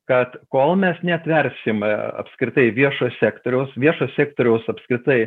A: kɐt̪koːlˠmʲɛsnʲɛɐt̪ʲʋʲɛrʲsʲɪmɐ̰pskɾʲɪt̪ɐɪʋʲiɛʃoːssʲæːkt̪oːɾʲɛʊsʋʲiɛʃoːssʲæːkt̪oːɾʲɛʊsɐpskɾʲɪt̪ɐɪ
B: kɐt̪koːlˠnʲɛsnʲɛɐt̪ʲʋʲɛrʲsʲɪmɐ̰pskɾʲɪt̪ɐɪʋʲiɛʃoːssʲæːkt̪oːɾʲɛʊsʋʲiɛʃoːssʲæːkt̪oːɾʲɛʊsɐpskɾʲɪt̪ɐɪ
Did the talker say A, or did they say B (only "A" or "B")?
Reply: A